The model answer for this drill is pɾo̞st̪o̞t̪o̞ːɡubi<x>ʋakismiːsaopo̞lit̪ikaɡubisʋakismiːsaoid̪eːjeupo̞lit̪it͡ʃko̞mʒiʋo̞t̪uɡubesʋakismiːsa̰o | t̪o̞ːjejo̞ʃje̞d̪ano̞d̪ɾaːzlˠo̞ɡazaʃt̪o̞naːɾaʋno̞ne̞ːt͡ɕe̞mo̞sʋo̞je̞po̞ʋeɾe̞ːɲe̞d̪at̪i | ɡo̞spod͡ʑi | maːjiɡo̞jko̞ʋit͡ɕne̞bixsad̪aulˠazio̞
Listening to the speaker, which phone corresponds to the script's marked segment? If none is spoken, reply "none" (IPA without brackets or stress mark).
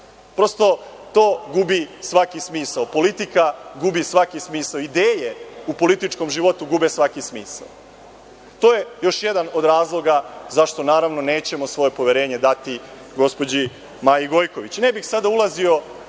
s